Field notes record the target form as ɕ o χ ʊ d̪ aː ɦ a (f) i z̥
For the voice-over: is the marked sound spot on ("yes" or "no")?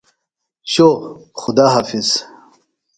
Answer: yes